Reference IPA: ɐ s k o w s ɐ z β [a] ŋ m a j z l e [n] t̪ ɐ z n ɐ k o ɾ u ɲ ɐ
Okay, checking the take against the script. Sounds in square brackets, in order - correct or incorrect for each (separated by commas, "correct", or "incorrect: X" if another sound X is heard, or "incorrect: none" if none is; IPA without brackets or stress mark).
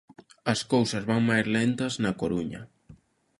correct, correct